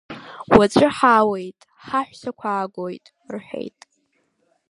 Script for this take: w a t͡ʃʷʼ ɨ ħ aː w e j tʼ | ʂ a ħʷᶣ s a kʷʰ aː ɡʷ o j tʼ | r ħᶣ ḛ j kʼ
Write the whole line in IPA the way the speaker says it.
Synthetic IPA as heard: w a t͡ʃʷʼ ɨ ħ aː w e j tʼ | ħ a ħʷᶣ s a kʷʰ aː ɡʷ o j tʼ | r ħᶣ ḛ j tʼ